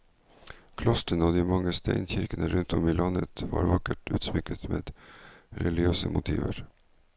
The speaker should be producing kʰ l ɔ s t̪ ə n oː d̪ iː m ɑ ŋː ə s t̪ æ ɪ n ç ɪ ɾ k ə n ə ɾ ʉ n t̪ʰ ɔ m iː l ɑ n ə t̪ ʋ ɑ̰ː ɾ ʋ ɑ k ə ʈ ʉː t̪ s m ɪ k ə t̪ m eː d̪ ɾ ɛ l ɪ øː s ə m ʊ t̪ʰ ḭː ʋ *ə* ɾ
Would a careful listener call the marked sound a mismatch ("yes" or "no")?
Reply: no